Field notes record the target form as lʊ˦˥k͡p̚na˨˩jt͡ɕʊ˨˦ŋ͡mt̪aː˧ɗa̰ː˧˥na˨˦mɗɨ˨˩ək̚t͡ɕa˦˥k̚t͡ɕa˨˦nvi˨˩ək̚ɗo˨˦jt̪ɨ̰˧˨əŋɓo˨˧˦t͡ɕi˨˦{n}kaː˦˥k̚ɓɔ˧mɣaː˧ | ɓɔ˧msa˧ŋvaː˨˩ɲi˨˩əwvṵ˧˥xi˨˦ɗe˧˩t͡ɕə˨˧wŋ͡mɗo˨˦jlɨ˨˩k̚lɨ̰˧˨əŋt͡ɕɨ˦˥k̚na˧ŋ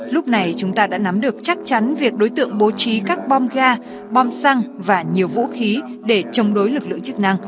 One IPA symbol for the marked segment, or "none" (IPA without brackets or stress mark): none